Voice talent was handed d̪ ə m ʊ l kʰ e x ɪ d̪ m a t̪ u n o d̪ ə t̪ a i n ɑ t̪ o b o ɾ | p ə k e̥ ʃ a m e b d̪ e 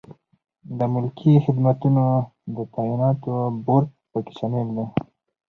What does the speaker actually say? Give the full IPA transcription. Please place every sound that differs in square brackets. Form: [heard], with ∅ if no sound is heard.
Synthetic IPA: d̪ ə m ʊ l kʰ [i] x ɪ d̪ m a t̪ u n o d̪ ə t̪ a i n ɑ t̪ o b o ɾ | p ə k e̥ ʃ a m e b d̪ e